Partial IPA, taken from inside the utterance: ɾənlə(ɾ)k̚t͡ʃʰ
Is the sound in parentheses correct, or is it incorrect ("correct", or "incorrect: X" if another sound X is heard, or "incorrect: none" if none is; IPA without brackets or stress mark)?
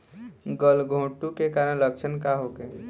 incorrect: none